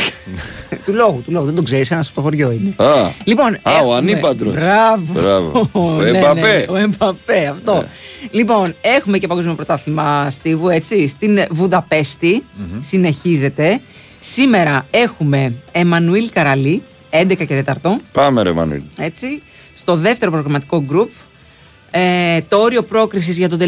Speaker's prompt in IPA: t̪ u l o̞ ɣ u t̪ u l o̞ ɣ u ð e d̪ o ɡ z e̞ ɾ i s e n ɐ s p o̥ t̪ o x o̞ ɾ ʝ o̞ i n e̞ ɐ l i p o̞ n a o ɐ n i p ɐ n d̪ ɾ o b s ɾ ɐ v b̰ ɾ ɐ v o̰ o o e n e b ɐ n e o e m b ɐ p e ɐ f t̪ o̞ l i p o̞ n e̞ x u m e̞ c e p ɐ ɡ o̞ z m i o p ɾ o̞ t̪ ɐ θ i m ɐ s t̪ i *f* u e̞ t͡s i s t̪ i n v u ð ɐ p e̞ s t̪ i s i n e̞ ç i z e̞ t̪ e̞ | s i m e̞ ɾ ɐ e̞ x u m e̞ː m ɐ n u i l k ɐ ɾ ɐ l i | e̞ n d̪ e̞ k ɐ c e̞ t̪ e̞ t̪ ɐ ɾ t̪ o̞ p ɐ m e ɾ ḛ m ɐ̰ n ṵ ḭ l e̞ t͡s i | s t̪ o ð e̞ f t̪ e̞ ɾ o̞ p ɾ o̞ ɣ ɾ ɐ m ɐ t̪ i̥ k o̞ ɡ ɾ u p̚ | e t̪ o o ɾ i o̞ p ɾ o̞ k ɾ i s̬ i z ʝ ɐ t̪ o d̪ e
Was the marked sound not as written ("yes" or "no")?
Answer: yes